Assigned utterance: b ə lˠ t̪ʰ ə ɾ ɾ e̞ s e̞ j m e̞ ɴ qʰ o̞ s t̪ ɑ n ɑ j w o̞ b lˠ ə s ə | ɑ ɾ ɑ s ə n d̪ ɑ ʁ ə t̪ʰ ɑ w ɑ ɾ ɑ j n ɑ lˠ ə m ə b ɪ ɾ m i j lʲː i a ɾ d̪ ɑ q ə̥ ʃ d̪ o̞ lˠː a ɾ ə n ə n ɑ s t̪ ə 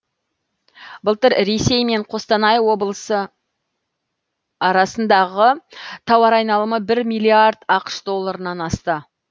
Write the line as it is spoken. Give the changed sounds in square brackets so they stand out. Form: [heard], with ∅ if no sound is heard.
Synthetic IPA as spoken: b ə lˠ [t̪] ə ɾ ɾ e̞ s e̞ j m e̞ ɴ qʰ o̞ s t̪ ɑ n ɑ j w o̞ b lˠ ə s ə | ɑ ɾ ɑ s ə n d̪ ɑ ʁ ə t̪ʰ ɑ w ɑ ɾ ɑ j n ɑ lˠ ə m ə b ɪ ɾ m i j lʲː i a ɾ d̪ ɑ q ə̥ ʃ d̪ o̞ lˠː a ɾ ə n [ɑ] n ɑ s t̪ ə

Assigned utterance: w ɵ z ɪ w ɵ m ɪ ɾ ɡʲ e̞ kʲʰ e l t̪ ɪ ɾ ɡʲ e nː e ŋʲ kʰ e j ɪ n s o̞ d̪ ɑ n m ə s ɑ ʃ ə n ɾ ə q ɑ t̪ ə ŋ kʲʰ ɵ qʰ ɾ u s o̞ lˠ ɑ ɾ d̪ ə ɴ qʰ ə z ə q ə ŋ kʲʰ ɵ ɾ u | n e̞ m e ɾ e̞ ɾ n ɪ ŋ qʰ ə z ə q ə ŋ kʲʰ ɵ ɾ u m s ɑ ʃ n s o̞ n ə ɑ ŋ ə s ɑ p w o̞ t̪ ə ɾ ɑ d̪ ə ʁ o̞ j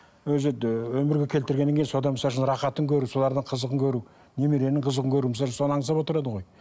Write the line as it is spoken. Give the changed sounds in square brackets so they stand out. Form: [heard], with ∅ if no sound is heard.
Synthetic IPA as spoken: w ɵ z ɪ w ɵ m ɪ ɾ ɡʲ e̞ kʲʰ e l t̪ ɪ ɾ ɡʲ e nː e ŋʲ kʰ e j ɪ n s o̞ d̪ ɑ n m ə s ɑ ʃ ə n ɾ [ɑ] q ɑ t̪ ə ŋ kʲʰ ɵ [∅] ɾ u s o̞ lˠ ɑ ɾ d̪ ə ɴ qʰ ə z ə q ə ŋ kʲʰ ɵ ɾ u | n e̞ m e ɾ e̞ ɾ n ɪ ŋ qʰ ə z ə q ə ŋ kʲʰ ɵ ɾ u m s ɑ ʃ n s o̞ n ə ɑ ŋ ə s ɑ p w o̞ t̪ ə ɾ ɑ d̪ ə ʁ o̞ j

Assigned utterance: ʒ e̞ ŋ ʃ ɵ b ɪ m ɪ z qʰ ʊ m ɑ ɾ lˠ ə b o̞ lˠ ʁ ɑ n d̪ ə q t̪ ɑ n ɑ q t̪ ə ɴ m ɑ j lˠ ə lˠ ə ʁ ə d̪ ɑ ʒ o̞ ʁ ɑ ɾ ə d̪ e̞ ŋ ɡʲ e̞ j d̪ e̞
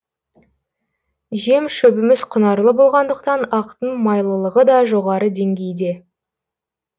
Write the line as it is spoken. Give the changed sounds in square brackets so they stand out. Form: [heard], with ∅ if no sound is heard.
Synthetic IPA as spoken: ʒ e̞ [m] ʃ ɵ b ɪ m ɪ z qʰ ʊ [n] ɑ ɾ lˠ ə b o̞ lˠ ʁ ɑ n d̪ ə q t̪ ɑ n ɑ q t̪ ə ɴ m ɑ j lˠ ə lˠ ə ʁ ə d̪ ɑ ʒ o̞ ʁ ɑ ɾ ə d̪ e̞ ŋ ɡʲ e̞ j d̪ e̞

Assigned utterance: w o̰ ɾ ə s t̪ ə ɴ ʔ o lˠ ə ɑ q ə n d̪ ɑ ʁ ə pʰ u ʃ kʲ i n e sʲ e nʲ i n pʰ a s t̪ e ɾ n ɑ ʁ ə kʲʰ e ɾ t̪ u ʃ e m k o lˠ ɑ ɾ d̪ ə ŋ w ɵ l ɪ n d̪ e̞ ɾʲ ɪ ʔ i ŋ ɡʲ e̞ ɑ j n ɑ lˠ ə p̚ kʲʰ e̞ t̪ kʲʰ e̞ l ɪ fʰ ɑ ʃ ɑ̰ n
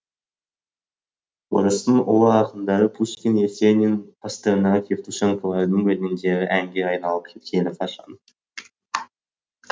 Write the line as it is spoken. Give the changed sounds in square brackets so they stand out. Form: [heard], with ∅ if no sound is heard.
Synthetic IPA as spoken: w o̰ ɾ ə s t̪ ə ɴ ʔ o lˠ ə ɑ q ə n d̪ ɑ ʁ ə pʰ u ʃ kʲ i n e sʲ e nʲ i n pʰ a s t̪ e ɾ n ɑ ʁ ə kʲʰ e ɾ t̪ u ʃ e [ŋ] k o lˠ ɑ ɾ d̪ ə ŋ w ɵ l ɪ n d̪ e̞ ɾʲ ɪ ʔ [æ] ŋ ɡʲ e̞ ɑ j n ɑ lˠ ə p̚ kʲʰ e̞ t̪ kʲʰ e̞ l ɪ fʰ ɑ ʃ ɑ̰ n

